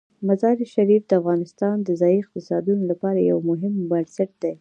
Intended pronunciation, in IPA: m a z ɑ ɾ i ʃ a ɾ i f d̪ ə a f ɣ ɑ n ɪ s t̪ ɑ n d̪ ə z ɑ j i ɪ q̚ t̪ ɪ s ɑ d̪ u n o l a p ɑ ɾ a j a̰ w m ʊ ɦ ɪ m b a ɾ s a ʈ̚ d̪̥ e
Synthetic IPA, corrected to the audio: m a z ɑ ɾ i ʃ a ɾ i f d̪ ə a f ɣ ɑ n ɪ s t̪ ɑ n d̪ ə z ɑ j i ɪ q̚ t̪ ɪ s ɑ d̪ u n o l a p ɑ ɾ a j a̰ w m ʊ ɦ ɪ m b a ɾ s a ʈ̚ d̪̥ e